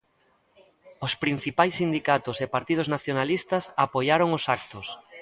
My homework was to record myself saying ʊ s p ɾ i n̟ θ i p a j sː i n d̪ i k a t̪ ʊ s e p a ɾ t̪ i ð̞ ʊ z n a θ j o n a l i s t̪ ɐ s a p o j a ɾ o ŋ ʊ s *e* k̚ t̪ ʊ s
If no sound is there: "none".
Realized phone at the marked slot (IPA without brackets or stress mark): a